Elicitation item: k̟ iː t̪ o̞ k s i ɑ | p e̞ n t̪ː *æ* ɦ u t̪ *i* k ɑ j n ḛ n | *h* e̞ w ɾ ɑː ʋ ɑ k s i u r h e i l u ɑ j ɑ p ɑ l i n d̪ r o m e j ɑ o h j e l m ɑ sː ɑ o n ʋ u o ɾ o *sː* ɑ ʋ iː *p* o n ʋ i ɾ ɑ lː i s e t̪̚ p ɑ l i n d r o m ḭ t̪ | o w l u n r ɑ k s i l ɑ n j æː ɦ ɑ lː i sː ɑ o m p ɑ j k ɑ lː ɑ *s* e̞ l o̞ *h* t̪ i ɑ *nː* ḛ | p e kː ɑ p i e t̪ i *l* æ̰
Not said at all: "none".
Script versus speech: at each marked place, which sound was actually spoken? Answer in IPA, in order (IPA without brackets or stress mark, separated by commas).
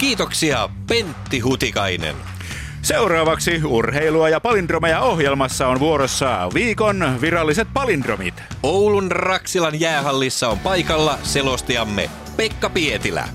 i, i, s, sː, k, s, s, mː, l